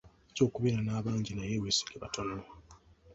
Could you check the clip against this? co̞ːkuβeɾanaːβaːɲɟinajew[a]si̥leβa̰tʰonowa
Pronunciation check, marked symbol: incorrect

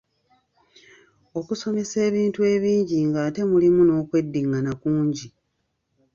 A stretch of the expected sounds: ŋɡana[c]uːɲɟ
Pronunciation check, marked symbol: incorrect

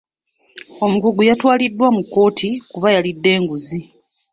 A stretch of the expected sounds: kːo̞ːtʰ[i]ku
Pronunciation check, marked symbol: correct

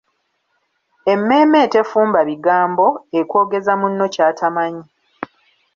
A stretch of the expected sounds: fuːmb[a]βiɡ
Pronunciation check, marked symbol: correct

